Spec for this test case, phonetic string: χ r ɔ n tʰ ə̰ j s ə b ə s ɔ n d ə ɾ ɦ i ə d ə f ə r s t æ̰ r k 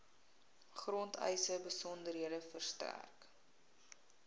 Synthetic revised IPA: χ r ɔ n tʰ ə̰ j s ə b ə s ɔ n d ə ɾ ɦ i ə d ə f ə r s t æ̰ r k